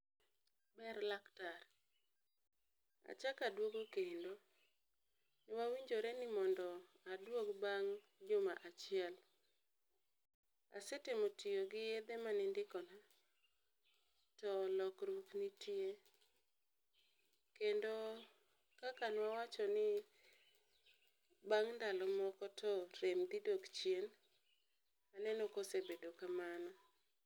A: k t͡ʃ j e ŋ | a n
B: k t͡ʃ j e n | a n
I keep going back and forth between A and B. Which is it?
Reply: B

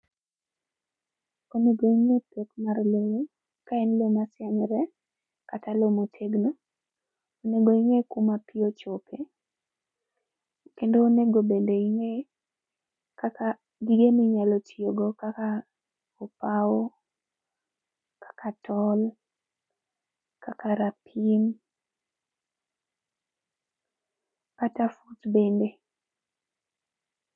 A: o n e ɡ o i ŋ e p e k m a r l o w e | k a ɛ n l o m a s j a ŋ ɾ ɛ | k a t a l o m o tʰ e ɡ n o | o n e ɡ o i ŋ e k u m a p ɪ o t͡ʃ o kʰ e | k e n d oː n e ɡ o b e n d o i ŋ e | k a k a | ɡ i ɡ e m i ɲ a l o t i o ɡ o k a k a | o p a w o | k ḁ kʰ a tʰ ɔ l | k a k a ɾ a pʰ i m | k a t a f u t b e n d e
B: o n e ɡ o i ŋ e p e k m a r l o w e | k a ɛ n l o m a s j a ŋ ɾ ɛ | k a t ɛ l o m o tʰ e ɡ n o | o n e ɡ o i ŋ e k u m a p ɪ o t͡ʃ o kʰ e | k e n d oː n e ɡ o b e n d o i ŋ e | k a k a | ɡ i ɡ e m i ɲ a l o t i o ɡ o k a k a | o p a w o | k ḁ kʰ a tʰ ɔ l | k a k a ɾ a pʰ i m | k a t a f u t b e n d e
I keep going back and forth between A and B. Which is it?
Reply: A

